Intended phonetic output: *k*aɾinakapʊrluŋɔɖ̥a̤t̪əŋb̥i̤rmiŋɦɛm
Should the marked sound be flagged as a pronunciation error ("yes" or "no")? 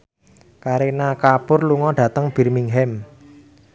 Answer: no